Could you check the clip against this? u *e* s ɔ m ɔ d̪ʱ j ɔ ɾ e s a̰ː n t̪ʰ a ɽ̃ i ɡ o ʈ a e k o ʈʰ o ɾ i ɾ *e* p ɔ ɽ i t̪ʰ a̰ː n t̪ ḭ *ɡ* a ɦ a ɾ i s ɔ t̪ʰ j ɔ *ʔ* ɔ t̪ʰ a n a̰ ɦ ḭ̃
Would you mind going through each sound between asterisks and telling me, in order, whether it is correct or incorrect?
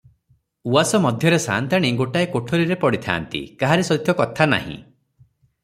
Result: incorrect: a, correct, incorrect: k, incorrect: k

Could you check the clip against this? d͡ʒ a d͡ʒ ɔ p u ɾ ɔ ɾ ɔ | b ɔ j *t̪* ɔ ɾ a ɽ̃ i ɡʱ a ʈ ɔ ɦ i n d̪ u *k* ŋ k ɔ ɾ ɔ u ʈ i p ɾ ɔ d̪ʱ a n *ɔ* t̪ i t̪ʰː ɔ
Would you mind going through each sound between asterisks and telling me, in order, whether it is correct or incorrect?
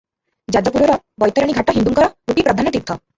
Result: correct, incorrect: none, correct

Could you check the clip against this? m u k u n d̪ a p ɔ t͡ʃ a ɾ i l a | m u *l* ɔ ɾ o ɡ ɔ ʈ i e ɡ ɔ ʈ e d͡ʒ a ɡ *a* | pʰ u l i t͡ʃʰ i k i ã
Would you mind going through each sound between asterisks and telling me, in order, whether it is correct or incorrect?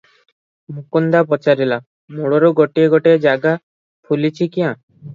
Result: incorrect: ɽ, correct

